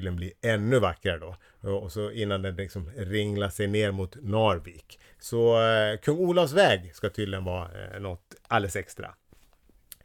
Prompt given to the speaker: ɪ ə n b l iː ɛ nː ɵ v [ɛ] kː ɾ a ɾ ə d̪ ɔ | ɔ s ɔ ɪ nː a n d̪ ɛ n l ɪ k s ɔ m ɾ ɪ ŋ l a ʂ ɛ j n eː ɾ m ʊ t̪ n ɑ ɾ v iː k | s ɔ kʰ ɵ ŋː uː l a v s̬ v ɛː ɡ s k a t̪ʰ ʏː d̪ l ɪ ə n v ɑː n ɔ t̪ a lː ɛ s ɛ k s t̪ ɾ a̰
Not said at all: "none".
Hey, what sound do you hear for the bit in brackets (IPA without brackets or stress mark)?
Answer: a